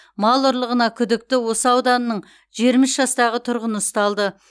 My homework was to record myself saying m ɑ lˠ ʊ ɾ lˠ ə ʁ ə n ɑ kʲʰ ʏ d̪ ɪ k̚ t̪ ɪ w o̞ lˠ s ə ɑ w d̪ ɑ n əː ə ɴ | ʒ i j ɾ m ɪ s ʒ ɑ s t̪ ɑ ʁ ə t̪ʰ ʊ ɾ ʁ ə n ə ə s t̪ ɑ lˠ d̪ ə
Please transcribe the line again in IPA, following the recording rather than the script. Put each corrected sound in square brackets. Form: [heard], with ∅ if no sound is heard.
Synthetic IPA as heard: m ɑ lˠ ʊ ɾ lˠ ə ʁ ə n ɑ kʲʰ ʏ d̪ ɪ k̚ t̪ ɪ w o̞ [∅] s ə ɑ w d̪ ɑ n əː ə ɴ | ʒ i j ɾ m ɪ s ʒ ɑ s t̪ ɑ ʁ ə t̪ʰ ʊ ɾ ʁ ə n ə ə s t̪ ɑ lˠ d̪ ə